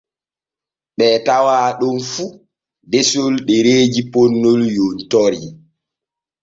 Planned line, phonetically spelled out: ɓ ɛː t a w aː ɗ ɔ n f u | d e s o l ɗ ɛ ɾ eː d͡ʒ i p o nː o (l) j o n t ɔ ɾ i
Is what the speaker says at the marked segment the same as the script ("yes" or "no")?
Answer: yes